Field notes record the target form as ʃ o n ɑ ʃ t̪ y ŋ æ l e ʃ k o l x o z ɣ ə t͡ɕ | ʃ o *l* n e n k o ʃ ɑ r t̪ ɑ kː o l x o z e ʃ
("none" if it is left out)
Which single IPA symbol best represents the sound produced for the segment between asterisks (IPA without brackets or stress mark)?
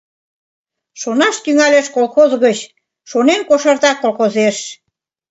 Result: none